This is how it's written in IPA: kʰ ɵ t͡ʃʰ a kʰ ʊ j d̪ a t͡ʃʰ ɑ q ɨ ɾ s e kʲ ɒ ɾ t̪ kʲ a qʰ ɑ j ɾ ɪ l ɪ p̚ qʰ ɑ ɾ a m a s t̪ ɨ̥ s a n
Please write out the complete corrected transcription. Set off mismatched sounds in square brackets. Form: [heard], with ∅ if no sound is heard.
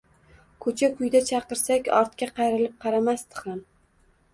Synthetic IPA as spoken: kʰ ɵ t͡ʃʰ a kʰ ʊ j d̪ a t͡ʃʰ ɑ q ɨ ɾ s [a] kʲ ɒ ɾ t̪ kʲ a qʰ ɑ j ɾ ɪ l ɪ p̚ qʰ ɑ ɾ a m a s t̪ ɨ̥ [χ] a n